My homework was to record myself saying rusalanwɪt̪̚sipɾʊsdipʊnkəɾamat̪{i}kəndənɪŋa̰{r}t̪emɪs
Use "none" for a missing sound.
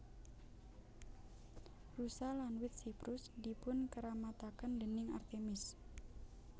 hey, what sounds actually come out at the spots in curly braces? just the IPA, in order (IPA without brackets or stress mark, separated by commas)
a, r